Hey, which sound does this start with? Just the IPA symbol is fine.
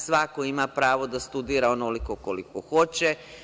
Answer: s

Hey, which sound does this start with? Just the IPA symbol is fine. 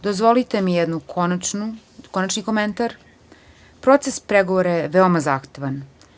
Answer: d̪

